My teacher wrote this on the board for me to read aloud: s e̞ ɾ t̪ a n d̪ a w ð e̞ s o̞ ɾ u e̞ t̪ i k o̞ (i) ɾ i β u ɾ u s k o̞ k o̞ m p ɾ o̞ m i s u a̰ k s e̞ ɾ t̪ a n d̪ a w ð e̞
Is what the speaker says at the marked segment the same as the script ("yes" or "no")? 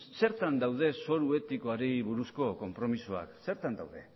no